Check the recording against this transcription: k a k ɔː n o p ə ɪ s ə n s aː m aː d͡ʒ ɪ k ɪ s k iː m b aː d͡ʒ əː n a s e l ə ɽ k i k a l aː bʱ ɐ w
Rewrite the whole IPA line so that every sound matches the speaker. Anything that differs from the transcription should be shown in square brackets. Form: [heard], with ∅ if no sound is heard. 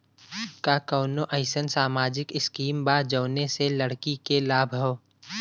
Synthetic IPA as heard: k a k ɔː n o [ʔ] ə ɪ s ə n s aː m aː d͡ʒ ɪ k ɪ s k iː m b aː d͡ʒ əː n [e] s e l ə ɽ k i k [e] l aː bʱ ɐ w